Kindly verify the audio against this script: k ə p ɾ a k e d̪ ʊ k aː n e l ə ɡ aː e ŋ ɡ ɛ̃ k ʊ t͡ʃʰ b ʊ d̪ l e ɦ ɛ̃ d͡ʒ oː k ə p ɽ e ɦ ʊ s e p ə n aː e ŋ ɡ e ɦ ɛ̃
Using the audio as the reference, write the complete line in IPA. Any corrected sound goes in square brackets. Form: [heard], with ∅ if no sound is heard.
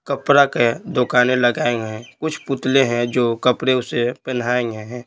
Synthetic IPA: k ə p ɾ a k e d̪ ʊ k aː n e l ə ɡ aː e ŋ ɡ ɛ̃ k ʊ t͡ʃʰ [p] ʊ [t̪] l e ɦ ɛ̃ d͡ʒ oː k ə p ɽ e [∅] ʊ s e p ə n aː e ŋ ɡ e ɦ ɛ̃